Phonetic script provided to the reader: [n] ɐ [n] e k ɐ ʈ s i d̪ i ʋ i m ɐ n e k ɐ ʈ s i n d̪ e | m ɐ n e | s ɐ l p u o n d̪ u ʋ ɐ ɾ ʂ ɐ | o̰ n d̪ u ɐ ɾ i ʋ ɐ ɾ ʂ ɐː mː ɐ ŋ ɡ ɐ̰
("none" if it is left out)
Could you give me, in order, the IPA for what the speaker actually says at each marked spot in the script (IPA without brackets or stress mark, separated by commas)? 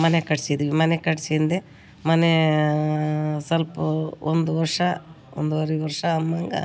m, n